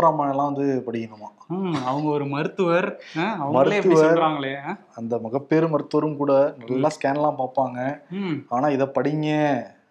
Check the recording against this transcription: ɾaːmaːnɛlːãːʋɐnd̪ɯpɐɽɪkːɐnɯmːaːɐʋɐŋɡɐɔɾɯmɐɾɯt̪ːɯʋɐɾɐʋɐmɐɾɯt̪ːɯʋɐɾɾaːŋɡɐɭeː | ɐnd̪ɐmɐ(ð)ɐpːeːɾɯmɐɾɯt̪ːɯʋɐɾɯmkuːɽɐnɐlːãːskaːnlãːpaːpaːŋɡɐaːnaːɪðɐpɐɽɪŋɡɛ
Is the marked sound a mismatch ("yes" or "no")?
yes